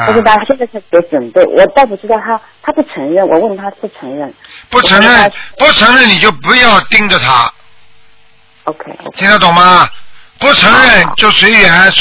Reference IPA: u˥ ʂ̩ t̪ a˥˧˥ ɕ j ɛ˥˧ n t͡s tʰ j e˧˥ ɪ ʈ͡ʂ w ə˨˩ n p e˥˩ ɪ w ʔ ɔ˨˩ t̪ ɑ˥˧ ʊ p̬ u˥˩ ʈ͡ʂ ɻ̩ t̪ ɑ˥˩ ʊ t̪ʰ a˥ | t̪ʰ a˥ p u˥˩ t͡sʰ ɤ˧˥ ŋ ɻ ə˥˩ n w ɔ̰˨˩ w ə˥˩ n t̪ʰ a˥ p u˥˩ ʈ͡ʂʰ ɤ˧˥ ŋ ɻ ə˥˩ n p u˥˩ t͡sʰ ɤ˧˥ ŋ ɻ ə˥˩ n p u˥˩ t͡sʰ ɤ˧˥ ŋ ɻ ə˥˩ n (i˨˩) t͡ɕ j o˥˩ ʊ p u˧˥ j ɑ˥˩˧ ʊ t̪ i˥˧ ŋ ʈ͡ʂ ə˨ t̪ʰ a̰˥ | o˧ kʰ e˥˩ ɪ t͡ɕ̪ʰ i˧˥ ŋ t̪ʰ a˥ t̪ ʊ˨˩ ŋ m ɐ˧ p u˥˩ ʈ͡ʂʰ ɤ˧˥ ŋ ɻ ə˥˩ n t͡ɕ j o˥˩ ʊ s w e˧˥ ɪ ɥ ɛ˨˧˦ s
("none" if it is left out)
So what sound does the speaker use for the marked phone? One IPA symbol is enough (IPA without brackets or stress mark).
i˨˩